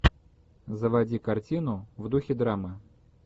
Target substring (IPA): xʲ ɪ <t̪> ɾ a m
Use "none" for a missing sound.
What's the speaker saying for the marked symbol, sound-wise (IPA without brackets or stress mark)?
d̪